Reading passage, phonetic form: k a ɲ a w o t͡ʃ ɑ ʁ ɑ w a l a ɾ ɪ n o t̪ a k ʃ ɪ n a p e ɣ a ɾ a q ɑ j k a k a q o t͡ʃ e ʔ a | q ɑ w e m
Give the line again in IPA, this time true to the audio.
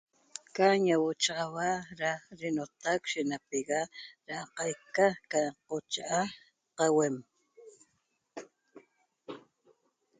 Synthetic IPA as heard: k a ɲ a w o t͡ʃ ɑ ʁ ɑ w a ɾ a ɾ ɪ n o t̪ a k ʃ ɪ n a p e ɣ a ɾ a q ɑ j k a k a q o t͡ʃ a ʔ a | q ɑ w e m